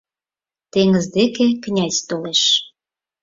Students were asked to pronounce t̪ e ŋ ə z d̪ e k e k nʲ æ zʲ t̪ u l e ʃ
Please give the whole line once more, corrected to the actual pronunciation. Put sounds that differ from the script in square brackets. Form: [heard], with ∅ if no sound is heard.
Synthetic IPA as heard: t̪ e ŋ ə z d̪ e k e k nʲ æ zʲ t̪ [o] l e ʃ